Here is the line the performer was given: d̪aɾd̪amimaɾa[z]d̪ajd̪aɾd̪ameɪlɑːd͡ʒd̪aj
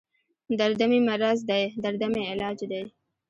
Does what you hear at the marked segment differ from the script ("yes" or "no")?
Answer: no